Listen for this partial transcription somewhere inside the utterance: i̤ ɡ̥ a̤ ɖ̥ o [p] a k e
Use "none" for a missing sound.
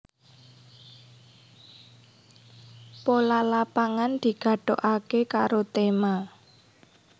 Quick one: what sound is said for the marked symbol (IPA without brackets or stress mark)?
ʔ